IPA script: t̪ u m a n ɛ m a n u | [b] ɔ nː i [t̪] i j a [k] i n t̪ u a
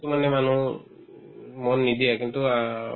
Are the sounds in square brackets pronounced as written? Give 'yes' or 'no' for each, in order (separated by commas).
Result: no, no, yes